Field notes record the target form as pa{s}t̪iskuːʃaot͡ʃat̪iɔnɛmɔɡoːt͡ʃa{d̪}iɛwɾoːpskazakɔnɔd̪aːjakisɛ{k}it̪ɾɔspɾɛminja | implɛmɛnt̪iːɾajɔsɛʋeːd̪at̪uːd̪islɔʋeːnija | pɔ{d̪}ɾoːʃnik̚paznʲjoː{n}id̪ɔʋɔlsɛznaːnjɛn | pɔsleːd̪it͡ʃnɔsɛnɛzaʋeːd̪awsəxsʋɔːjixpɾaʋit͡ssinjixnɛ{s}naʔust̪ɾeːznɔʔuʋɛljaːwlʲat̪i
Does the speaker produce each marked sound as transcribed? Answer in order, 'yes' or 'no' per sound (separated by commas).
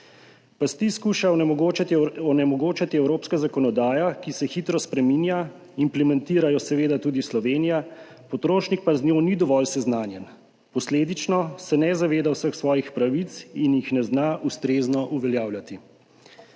yes, no, no, no, yes, no